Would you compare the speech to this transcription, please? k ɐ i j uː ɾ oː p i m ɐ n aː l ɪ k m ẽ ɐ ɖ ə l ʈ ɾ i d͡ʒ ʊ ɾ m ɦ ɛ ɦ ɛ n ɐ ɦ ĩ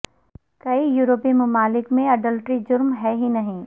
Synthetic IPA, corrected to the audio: k ɐ i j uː ɾ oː p i m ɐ m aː l ɪ k m ẽ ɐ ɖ ə l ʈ ɾ i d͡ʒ ʊ ɾ m ɦ ɛ ɦ i n ɐ ɦ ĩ

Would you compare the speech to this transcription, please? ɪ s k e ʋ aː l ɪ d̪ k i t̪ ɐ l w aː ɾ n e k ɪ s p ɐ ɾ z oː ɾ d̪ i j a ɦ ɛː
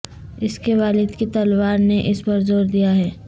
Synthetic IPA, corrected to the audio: ɪ s k e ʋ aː l ɪ d̪ k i t̪ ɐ l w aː ɾ n e ʔ ɪ s p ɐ ɾ z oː ɾ d̪ i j a ɦ ɛː

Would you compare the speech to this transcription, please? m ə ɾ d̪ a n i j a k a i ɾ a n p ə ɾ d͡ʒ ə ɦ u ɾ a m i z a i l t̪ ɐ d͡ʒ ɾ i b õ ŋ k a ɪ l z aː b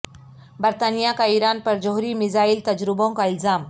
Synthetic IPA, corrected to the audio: b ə ɾ t̪ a n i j a k a i ɾ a n p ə ɾ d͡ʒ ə ɦ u ɾ i m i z a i l t̪ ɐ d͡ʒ ɾ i b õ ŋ k a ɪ l z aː m

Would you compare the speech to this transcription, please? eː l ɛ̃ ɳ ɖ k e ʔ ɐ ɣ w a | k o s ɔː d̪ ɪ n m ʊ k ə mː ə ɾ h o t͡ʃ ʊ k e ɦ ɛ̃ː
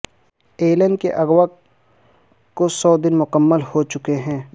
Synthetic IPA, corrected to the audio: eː l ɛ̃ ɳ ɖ k e ʔ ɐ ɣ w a | k o s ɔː d̪ ɪ n m ʊ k ə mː ə l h o t͡ʃ ʊ k e ɦ ɛ̃ː

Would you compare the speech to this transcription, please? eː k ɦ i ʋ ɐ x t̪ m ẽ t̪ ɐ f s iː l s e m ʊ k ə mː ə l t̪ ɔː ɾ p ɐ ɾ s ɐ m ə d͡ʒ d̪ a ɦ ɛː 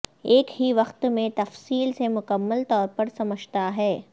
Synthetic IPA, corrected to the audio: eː k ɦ i ʋ ɐ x t̪ m ẽ t̪ ɐ f s iː l s e m ʊ k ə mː ə l t̪ ɔː ɾ p ɐ ɾ s ɐ m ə d͡ʒ t̪ a ɦ ɛː

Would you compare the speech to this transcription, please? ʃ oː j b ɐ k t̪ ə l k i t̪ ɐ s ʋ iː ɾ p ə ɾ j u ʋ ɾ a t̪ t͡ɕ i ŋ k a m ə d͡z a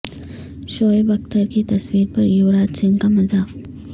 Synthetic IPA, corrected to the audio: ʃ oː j b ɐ k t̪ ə ɾ k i t̪ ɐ s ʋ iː ɾ p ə ɾ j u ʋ ɾ a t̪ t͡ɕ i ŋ k a m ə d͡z a

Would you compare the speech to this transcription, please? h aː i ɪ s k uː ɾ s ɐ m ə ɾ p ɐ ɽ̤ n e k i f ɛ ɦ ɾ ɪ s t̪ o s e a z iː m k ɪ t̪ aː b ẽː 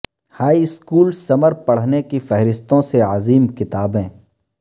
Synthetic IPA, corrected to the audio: h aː i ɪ s k uː l s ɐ m ə ɾ p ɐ ɽ̤ n e k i f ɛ ɦ ɾ ɪ s t̪ õ s e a z iː m k ɪ t̪ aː b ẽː

